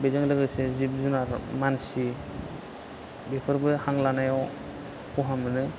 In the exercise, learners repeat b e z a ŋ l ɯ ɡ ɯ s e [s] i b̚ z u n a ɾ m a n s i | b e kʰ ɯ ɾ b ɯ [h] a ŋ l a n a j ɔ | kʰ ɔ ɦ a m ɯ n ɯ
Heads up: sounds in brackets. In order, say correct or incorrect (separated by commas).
incorrect, correct